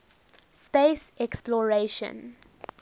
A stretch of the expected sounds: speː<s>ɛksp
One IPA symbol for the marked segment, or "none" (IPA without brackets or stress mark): s